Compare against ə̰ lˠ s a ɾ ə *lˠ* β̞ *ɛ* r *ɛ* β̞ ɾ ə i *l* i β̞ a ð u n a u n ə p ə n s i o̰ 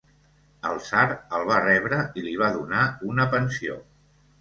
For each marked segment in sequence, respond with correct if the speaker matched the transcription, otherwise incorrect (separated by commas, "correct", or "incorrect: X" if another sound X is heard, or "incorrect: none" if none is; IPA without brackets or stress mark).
correct, incorrect: a, correct, correct